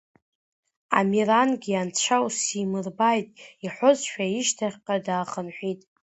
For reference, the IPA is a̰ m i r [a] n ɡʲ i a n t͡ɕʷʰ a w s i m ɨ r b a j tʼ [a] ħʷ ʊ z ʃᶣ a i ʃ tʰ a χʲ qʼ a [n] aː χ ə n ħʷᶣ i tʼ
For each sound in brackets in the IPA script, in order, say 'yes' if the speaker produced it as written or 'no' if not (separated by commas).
yes, no, no